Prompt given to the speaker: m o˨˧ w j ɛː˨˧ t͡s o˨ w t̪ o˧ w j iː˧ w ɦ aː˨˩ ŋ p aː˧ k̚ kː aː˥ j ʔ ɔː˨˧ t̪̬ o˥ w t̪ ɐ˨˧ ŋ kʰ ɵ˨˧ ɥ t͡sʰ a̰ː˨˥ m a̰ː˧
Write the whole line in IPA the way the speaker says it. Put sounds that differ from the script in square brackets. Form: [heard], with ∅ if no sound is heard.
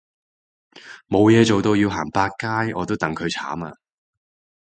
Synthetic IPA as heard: m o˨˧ w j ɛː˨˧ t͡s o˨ w t̪ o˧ w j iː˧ w ɦ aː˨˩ ŋ p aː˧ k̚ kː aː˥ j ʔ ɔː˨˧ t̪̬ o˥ w t̪ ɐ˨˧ ŋ kʰ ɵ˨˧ ɥ t͡sʰ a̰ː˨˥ m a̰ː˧